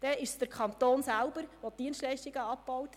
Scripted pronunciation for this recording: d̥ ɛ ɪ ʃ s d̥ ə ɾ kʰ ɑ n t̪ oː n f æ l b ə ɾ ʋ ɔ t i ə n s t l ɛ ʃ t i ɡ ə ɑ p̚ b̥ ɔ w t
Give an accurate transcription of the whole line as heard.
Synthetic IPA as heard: d̥ ɛ ɪ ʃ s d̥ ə ɾ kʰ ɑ n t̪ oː n s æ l b ə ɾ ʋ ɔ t i ə n s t l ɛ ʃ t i ɡ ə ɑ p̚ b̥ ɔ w t